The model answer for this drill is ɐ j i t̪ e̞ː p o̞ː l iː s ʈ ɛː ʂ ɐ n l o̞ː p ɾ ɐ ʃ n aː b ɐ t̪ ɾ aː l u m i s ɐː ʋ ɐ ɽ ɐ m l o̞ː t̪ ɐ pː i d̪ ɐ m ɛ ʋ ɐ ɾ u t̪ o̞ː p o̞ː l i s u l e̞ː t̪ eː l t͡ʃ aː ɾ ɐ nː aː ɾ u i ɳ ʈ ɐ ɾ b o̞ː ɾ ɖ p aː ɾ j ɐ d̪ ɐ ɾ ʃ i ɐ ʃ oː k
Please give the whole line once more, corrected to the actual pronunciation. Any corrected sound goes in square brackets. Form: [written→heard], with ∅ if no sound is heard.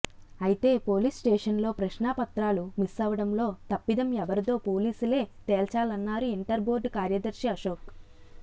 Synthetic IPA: ɐ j i t̪ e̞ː p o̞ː l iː s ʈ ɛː ʂ ɐ n l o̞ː p ɾ ɐ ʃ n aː [b→p] ɐ t̪ ɾ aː l u m i s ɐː ʋ ɐ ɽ ɐ m l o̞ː t̪ ɐ pː i d̪ ɐ m ɛ ʋ ɐ ɾ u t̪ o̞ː p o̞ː l [i→iː] s u l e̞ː t̪ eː l t͡ʃ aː [ɾ→l] ɐ nː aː ɾ u i ɳ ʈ ɐ ɾ b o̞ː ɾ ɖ [p→k] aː ɾ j ɐ d̪ ɐ ɾ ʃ i ɐ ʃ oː k

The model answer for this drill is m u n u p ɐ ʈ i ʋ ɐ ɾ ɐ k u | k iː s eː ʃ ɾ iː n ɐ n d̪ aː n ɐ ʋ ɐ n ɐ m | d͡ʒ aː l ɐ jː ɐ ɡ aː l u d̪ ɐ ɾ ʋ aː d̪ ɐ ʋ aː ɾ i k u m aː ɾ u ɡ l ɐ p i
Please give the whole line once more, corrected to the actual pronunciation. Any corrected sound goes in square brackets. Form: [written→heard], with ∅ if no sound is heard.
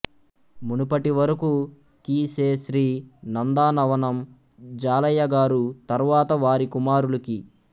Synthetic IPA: m u n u p ɐ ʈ i ʋ ɐ ɾ ɐ k u | k iː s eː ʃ ɾ iː n ɐ n d̪ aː n ɐ ʋ ɐ n ɐ m | d͡ʒ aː l ɐ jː ɐ ɡ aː [l→ɾ] u [d̪→t̪] ɐ ɾ ʋ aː [d̪→t̪] ɐ ʋ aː ɾ i k u m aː ɾ u [ɡ→∅] l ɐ [p→k] i

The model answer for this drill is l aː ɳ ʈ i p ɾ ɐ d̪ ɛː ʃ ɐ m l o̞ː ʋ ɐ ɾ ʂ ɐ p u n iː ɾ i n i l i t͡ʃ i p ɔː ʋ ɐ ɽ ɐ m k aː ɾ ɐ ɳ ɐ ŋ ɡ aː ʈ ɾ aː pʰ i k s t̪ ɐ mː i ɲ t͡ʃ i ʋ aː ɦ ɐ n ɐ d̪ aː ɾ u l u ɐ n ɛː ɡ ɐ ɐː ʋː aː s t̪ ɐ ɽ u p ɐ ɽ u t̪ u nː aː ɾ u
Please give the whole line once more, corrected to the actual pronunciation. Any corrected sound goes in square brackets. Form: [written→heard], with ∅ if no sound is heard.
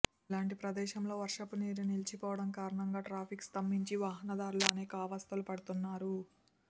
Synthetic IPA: l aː ɳ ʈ i p ɾ ɐ d̪ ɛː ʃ ɐ m l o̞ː ʋ ɐ ɾ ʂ ɐ p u n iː ɾ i n i l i t͡ʃ i p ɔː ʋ ɐ ɽ ɐ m k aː ɾ ɐ ɳ ɐ ŋ ɡ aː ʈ ɾ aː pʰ i k s t̪ ɐ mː i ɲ t͡ʃ i ʋ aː ɦ ɐ n ɐ d̪ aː ɾ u l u ɐ n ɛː [ɡ→k] ɐ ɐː [ʋː→ʋ] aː s t̪ ɐ [ɽ→l] u p ɐ ɽ u t̪ u nː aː ɾ u

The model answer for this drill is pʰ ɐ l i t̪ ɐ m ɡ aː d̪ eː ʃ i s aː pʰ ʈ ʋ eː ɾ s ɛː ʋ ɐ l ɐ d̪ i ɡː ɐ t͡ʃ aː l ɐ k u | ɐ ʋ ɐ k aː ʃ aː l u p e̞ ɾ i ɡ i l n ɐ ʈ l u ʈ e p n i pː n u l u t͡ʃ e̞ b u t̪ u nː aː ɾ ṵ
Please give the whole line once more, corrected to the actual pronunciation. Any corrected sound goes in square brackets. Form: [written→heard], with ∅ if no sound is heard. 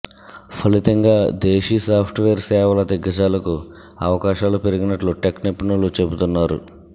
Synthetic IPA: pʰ ɐ l i t̪ ɐ [m→ŋ] ɡ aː d̪ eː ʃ i s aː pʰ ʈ ʋ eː ɾ s ɛː ʋ ɐ l ɐ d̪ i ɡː ɐ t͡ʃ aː l ɐ k u | ɐ ʋ ɐ k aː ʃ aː l u p e̞ ɾ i ɡ i [l→∅] n ɐ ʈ l u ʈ e [p→k] n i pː n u l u t͡ʃ e̞ b u t̪ u nː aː ɾ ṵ

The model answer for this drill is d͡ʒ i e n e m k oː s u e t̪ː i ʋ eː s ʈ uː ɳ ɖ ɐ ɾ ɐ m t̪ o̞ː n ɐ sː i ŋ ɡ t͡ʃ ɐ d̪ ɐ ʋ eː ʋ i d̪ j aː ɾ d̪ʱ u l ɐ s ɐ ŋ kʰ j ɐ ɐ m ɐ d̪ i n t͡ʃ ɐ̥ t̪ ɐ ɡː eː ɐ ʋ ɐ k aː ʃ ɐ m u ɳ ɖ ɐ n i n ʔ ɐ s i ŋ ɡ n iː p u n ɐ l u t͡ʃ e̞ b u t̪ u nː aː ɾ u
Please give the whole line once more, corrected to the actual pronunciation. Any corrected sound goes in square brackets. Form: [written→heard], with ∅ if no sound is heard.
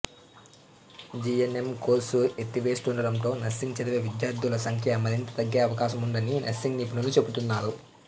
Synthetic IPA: d͡ʒ i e n e m k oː s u e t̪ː i ʋ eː s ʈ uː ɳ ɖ ɐ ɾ ɐ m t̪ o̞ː n ɐ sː i ŋ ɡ t͡ʃ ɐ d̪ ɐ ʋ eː ʋ i d̪ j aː ɾ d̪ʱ u l ɐ s ɐ ŋ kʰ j ɐ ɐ m ɐ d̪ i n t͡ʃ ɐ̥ t̪ ɐ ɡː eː ɐ ʋ ɐ k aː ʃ ɐ m u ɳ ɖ ɐ n i n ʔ ɐ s i ŋ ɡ n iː p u n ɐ l u t͡ʃ e̞ b u t̪ u nː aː ɾ u

